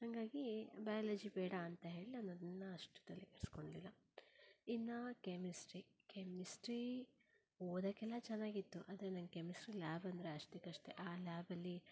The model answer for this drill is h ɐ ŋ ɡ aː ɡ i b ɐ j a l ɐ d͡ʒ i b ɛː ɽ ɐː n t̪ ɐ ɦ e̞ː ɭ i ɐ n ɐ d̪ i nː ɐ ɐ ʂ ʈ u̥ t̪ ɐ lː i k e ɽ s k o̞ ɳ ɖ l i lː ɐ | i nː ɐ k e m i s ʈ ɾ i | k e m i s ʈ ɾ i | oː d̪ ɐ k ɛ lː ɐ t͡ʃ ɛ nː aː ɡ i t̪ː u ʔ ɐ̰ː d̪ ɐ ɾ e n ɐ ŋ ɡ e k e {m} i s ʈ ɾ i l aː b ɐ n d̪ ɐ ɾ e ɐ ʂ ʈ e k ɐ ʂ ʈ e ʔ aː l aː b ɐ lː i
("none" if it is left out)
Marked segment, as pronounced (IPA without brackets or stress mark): m